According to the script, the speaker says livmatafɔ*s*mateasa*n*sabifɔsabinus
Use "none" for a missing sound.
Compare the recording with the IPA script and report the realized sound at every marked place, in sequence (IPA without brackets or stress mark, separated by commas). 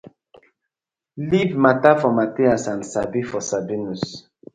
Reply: none, n